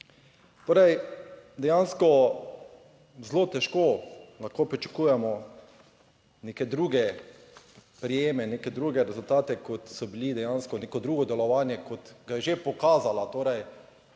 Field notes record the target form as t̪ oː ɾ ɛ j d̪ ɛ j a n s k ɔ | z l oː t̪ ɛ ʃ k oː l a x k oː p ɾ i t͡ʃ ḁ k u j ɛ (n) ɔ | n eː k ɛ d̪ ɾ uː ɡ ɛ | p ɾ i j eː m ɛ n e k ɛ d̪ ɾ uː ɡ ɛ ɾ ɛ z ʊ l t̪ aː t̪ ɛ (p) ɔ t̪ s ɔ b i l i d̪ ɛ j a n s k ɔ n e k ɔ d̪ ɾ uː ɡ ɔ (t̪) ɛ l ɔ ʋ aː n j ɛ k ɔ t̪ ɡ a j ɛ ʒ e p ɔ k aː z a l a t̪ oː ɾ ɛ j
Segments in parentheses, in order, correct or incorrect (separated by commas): incorrect, incorrect, incorrect